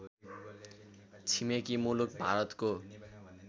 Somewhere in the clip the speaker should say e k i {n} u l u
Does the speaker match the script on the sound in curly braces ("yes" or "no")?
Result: no